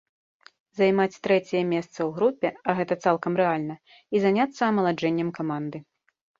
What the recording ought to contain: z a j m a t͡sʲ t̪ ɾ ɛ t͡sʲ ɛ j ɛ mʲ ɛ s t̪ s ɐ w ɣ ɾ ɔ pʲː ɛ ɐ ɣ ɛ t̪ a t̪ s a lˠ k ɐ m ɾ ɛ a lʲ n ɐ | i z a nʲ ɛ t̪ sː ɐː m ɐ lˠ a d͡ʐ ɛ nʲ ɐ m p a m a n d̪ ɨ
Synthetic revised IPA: z a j m a t͡sʲ t̪ ɾ ɛ t͡sʲ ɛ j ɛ mʲ ɛ s t̪ s ɐ w ɣ ɾ u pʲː ɛ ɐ ɣ ɛ t̪ ɐ t̪ s a lˠ k ɐ m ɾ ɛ a lʲ n ɐ | i z a nʲ a t̪ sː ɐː m ɐ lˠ a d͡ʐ ɛ nʲː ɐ m k a m a n d̪ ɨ

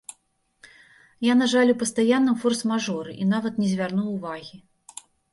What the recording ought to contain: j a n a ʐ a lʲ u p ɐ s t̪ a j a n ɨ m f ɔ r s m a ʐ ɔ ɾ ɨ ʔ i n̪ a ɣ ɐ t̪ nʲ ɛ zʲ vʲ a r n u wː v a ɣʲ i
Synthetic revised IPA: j a n a ʐ a lʲ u p ɐ s t̪ a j a nː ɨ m f ɔ r s m a ʐ ɔ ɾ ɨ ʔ i n̪ a v ɐ t̪ nʲ ɛ zʲ vʲ a r n u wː v a ɣʲ i

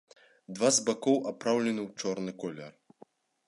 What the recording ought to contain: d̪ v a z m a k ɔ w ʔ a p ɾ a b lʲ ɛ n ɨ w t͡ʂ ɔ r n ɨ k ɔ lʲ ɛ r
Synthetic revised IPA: d̪ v a z b a k ɔ w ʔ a p ɾ a w lʲ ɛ n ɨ w t͡ʂ ɔ r n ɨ k ɔ lʲ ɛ r

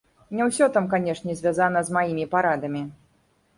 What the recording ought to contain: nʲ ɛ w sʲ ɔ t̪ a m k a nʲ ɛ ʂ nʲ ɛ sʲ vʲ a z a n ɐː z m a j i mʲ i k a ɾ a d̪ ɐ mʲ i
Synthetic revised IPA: nʲ ɛ w sʲ ɔ t̪ a m k a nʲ ɛ ʂ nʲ ɛ zʲ vʲ a z a n ɐ z m a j i mʲ i p a ɾ a d̪ ɐ mʲ i

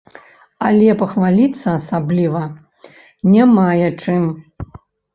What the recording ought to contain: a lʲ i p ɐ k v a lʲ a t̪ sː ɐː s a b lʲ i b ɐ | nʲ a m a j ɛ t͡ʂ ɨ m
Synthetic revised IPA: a lʲ ɛ p ɐ x v a lʲ i t̪ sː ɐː s a b lʲ i v ɐ | nʲ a m a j ɛ t͡ʂ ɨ m

